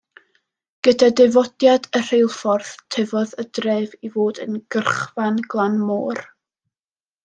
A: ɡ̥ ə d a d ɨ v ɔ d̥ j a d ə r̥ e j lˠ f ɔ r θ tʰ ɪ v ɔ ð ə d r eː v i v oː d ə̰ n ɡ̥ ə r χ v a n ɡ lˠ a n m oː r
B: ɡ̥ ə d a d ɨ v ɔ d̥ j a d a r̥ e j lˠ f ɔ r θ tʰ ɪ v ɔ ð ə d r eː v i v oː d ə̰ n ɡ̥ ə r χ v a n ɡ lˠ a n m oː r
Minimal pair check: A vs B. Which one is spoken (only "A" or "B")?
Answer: A